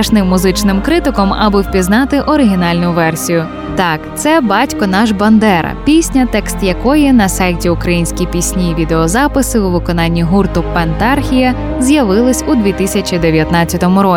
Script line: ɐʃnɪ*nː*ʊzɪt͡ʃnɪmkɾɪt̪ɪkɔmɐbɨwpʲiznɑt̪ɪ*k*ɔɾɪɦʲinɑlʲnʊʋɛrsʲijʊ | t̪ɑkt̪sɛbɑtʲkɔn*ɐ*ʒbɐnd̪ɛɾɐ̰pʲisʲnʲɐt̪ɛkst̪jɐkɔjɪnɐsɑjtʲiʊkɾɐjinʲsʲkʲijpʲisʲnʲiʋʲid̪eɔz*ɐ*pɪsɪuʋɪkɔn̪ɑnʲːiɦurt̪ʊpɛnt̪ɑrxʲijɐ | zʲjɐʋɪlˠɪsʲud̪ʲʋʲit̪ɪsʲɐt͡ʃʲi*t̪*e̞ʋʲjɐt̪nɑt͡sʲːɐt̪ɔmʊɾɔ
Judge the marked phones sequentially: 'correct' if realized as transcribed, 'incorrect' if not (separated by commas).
incorrect, incorrect, incorrect, incorrect, incorrect